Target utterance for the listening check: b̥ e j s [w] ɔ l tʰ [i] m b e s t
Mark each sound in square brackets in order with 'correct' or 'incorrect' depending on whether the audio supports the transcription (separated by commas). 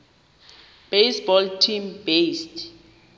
incorrect, correct